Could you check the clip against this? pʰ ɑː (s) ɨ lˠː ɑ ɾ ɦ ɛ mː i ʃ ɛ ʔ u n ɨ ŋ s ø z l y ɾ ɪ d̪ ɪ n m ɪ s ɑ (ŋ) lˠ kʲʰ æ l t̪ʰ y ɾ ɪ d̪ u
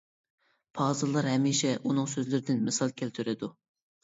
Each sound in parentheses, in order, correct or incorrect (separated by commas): incorrect, incorrect